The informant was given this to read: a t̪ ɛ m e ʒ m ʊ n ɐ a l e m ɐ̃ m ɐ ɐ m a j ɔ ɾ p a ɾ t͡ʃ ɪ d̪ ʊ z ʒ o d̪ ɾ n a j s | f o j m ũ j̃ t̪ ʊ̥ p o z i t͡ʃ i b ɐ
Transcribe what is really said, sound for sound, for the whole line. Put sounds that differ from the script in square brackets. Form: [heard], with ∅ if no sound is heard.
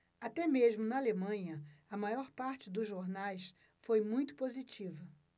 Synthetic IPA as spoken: a t̪ ɛ m e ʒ m ʊ n ɐ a l e m ɐ̃ [ɲ] ɐ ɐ m a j ɔ ɾ p a ɾ t͡ʃ ɪ d̪ ʊ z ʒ o [∅] ɾ n a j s | f o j m ũ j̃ t̪ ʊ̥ p o z i t͡ʃ i [v] ɐ